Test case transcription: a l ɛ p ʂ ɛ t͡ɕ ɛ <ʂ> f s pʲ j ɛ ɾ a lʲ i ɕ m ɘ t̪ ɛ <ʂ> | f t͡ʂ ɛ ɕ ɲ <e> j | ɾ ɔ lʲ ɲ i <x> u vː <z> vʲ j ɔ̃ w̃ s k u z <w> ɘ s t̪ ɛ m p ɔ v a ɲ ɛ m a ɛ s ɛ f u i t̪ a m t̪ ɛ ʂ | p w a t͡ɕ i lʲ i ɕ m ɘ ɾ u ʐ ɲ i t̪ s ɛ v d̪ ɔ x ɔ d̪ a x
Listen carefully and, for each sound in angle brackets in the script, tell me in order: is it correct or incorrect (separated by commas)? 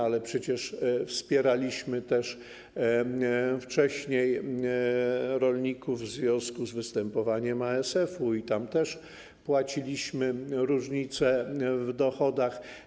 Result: correct, correct, correct, incorrect, correct, incorrect